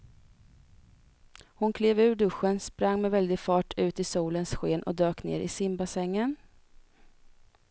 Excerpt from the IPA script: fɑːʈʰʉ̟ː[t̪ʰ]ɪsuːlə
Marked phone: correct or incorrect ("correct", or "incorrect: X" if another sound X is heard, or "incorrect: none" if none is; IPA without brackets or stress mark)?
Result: incorrect: t̪